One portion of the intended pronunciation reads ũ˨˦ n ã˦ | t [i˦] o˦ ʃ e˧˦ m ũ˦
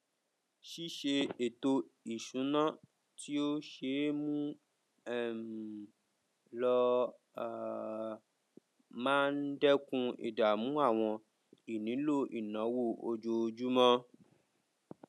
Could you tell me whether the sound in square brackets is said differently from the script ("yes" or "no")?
no